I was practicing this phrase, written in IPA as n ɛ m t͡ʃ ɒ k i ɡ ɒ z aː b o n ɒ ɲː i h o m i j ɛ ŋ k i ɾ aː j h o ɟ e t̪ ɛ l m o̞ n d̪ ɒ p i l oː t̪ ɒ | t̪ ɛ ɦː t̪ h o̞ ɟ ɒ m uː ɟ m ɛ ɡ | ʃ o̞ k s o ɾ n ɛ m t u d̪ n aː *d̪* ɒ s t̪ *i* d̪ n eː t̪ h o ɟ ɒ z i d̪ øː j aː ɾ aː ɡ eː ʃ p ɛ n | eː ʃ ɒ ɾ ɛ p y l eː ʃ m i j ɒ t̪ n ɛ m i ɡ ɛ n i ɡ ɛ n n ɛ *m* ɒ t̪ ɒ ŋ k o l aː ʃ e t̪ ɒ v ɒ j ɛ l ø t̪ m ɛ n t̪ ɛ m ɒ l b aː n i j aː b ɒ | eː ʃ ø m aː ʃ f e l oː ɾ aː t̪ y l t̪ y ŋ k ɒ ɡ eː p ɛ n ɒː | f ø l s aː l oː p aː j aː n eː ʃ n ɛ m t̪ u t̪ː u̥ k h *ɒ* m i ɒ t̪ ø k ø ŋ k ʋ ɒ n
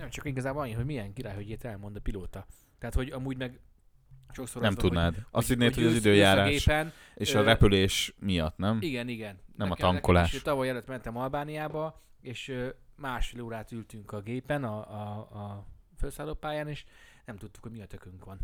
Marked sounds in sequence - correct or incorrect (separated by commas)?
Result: correct, correct, correct, incorrect